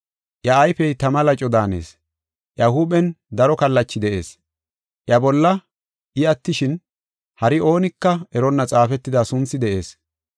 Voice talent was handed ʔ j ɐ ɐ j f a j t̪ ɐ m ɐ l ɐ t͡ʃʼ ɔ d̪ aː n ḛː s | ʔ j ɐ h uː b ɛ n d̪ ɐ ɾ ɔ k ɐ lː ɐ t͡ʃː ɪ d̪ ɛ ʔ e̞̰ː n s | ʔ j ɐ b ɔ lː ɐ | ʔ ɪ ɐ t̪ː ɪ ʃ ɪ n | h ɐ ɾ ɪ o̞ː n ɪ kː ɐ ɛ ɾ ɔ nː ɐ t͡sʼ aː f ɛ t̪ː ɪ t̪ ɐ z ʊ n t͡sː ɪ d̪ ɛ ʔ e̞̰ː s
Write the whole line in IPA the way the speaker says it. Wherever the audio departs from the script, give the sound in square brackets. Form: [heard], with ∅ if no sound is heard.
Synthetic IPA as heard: ʔ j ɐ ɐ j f [ɛ] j t̪ ɐ m ɐ l ɐ t͡ʃʼ ɔ d̪ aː n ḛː s | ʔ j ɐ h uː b ɛ n d̪ ɐ ɾ ɔ k ɐ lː ɐ t͡ʃː ɪ d̪ ɛ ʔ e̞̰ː [∅] s | ʔ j ɐ b ɔ lː ɐ | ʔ ɪ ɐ t̪ː ɪ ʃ ɪ n | h ɐ ɾ ɪ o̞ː n ɪ kː ɐ ɛ ɾ ɔ nː ɐ t͡sʼ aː f ɛ t̪ː ɪ [d̪] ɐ [s] ʊ n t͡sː ɪ d̪ ɛ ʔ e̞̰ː s